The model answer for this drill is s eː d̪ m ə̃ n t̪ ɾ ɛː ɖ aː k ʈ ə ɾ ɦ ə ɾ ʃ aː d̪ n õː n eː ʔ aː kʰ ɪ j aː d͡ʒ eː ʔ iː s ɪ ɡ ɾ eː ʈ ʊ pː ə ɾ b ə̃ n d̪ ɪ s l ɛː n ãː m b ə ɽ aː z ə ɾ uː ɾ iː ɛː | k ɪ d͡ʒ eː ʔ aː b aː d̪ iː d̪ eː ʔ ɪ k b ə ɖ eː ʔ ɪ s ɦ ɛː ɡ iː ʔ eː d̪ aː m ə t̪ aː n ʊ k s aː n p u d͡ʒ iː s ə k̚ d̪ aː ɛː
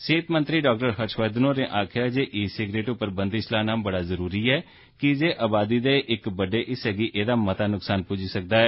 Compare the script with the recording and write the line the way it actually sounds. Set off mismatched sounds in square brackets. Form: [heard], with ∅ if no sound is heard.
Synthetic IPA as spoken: s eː [t̪] m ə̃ n t̪ ɾ [iː] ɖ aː k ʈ ə ɾ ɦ ə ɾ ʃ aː d̪ n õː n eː ʔ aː kʰ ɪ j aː d͡ʒ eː ʔ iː s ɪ ɡ ɾ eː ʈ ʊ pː ə ɾ b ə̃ n d̪ ɪ s l [aː] n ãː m b ə ɽ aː z ə ɾ uː ɾ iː ɛː | k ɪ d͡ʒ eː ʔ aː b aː d̪ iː d̪ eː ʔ ɪ k b ə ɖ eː ʔ ɪ s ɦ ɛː ɡ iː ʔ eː d̪ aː m ə t̪ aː n ʊ k s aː n p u d͡ʒ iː s ə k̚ d̪ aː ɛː